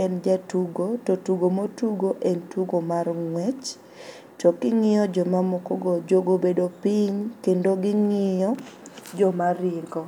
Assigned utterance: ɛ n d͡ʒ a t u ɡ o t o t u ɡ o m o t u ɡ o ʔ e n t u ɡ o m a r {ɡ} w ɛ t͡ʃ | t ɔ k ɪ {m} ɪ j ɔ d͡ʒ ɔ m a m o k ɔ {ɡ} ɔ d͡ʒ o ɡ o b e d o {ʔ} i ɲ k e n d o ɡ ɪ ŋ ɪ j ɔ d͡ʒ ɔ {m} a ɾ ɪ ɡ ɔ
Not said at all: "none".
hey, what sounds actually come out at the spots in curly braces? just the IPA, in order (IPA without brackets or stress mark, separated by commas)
ŋ, ŋ, ɡ, p, m